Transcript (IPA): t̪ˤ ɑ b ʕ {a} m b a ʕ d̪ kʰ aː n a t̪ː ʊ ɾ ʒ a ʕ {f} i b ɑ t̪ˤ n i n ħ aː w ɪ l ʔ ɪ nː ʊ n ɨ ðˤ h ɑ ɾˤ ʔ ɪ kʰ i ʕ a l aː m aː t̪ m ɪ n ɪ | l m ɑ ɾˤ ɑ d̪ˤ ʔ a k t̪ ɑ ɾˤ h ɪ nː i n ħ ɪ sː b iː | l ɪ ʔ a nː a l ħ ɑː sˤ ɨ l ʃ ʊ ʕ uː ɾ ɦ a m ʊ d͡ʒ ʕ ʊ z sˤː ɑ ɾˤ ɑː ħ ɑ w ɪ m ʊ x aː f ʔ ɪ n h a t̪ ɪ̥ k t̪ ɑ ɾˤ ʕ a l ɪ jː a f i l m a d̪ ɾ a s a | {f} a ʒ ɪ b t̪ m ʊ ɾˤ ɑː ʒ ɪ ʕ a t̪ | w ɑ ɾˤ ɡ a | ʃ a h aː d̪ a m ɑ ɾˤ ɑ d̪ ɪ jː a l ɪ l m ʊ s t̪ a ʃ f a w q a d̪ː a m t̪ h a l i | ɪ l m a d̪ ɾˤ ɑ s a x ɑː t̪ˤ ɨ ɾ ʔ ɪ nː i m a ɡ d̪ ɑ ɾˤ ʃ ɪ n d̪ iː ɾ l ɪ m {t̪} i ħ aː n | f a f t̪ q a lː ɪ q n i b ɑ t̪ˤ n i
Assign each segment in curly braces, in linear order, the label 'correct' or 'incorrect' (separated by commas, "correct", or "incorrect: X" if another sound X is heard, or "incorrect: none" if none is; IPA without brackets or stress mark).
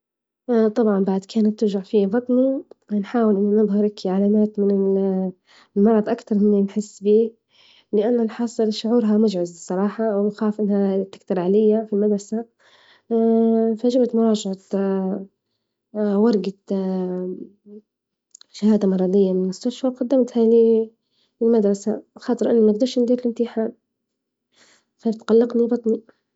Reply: incorrect: ɑ, correct, correct, correct